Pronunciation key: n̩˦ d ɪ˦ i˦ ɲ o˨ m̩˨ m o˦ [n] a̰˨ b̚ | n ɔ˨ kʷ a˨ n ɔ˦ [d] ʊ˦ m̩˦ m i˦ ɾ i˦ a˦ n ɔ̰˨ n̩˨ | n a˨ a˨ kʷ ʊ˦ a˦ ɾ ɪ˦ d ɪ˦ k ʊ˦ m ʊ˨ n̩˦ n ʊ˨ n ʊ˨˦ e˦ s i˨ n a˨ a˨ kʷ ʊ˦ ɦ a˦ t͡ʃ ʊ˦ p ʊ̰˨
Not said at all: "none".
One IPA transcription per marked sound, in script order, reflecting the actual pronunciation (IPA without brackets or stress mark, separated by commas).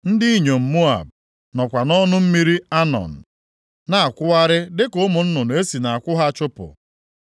none, n